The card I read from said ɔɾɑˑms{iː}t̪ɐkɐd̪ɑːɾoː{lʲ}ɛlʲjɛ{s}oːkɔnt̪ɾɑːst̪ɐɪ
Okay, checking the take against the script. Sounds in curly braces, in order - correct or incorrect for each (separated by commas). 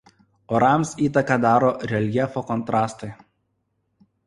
correct, incorrect, incorrect